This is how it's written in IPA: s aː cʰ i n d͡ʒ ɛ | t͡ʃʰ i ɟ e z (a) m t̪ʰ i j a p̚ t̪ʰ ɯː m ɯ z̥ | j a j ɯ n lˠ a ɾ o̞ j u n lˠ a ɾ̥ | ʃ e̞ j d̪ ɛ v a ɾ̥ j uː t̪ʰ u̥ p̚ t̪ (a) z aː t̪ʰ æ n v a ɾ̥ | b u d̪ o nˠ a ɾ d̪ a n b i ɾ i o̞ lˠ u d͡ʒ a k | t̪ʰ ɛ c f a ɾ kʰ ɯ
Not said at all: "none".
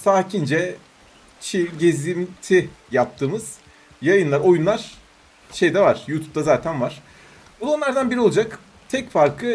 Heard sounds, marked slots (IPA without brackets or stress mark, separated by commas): i, a